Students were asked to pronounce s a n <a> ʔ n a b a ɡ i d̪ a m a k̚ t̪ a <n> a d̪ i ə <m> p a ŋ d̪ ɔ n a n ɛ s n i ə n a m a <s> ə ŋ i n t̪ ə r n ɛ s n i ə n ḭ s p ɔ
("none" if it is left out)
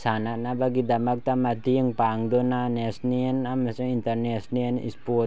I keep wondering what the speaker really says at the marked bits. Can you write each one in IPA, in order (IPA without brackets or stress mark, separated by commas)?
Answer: a, m, ŋ, s